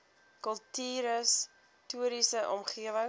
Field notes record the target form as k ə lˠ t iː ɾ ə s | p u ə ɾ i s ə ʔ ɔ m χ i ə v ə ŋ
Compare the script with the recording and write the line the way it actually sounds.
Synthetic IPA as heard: k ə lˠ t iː ɾ ə s | t u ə ɾ i s ə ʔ ɔ m χ i ə v ə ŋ